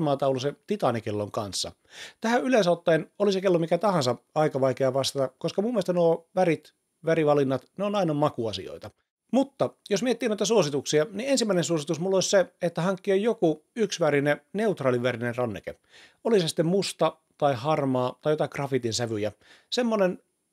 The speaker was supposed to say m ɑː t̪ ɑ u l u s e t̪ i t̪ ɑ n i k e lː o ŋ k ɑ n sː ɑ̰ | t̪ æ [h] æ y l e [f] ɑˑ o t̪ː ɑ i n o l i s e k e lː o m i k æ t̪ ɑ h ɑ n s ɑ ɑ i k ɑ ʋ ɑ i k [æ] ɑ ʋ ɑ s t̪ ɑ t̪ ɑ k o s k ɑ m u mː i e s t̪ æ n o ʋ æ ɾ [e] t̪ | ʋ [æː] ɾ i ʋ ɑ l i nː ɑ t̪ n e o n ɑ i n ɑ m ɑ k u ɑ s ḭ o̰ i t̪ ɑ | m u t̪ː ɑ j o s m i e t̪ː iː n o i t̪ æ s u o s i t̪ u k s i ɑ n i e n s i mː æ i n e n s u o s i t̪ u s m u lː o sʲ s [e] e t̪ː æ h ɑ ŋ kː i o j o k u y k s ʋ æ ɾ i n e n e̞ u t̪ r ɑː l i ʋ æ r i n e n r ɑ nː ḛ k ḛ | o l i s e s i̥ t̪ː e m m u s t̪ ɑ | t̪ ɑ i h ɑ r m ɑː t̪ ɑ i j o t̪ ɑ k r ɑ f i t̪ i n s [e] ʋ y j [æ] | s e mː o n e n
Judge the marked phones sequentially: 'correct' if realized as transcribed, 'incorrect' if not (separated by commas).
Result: correct, incorrect, incorrect, incorrect, incorrect, correct, incorrect, correct